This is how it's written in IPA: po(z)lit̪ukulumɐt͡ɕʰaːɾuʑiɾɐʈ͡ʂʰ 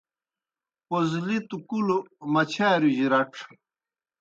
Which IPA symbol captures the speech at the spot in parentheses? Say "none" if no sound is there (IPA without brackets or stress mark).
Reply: z